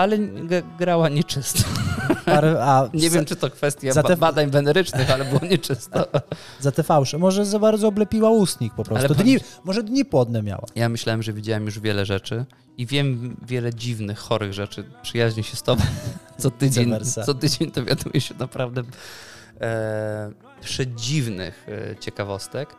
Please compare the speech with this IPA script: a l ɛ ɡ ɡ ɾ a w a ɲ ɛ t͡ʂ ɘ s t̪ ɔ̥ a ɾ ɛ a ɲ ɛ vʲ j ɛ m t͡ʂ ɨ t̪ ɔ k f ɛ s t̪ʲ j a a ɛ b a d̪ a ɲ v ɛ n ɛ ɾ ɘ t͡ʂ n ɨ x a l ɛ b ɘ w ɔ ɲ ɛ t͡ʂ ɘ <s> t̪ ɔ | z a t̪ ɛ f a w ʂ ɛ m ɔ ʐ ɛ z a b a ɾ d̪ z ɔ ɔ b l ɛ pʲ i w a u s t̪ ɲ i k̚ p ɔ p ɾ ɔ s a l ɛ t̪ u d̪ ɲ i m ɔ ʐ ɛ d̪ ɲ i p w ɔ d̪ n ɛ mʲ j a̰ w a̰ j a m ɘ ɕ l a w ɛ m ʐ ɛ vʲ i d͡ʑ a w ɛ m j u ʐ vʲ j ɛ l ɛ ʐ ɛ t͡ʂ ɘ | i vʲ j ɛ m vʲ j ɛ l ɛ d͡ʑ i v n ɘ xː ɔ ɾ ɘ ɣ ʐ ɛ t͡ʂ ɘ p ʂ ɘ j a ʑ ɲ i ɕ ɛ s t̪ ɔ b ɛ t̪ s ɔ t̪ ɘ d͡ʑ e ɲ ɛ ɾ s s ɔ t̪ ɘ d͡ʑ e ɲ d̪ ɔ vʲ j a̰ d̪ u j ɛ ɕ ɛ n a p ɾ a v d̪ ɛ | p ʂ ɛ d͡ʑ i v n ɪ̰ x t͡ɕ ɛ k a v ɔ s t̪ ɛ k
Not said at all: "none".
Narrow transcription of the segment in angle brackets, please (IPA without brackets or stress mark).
s